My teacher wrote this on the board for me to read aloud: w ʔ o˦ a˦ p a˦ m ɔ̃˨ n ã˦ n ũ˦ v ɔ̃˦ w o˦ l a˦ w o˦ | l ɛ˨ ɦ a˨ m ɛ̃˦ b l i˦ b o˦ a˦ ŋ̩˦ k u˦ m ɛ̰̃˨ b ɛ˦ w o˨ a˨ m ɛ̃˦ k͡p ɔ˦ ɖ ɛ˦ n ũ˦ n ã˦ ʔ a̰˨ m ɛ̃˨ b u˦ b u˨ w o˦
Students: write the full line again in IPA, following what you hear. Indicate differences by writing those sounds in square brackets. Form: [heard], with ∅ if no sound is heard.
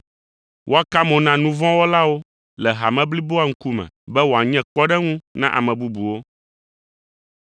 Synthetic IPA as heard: w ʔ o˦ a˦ [k] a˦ m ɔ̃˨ n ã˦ n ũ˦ v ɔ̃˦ w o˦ l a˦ w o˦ | l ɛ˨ ɦ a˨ m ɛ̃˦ b l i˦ b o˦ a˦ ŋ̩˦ k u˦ m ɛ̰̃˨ b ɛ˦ w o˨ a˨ [ɲ] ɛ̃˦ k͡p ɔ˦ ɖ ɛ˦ [ŋ] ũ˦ n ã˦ ʔ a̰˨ m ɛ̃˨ b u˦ b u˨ w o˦